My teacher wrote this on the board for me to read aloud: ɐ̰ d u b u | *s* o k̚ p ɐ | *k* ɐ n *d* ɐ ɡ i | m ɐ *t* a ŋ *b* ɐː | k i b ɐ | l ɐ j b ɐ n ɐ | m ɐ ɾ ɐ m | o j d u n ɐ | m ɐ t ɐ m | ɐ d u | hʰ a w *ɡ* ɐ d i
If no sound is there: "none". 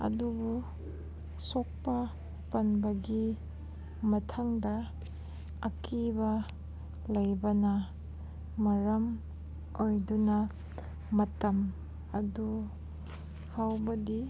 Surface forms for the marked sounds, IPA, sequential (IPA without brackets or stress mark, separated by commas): s, p, b, tʰ, d, b